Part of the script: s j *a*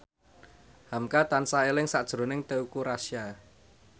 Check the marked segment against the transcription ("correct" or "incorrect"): correct